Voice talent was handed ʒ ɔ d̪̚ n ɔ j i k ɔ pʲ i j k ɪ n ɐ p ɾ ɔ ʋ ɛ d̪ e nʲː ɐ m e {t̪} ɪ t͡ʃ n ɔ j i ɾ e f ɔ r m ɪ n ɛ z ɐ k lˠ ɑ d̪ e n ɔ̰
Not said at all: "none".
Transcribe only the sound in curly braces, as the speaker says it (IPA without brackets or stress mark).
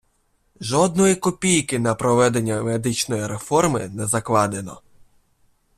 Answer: d̪